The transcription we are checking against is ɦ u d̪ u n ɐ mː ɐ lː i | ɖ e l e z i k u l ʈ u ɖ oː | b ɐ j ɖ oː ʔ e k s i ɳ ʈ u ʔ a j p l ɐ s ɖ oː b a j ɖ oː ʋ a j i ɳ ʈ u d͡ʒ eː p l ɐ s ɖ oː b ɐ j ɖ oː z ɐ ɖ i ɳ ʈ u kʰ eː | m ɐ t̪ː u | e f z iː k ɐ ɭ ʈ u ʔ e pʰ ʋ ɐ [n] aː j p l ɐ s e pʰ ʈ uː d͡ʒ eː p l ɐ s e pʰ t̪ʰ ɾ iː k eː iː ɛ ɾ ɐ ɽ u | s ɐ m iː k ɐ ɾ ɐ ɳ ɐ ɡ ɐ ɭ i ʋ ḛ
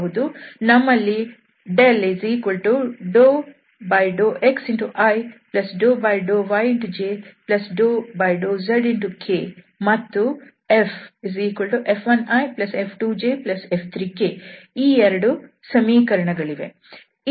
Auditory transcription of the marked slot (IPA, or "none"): n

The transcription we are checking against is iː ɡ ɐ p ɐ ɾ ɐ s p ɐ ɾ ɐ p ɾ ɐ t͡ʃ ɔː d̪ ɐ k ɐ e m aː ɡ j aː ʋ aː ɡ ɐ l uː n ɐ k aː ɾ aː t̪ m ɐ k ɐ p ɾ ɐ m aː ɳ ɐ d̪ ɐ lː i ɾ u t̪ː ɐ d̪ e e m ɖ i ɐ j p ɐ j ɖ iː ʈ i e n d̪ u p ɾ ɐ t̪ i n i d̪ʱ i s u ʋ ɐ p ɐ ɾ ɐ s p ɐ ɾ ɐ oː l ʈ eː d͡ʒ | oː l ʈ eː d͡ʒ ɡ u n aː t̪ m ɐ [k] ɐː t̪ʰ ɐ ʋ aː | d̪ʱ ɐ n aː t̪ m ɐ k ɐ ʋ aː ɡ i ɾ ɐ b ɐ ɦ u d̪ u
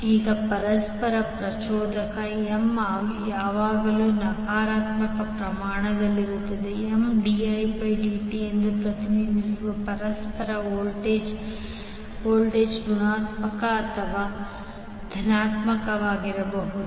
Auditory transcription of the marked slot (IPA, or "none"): k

